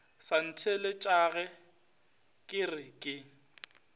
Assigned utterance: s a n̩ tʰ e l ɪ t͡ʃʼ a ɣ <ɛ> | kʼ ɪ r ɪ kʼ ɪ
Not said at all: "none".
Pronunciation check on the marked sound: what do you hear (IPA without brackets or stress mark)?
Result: ɛ